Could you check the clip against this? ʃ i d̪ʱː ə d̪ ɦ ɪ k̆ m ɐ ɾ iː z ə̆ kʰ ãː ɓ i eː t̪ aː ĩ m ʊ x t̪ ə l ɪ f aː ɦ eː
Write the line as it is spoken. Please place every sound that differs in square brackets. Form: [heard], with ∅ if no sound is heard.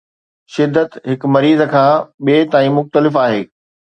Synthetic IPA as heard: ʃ [ɪ] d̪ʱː ə [t̪] ɦ ɪ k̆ m ɐ ɾ iː z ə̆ kʰ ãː ɓ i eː t̪ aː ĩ m ʊ x t̪ ə l ɪ f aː ɦ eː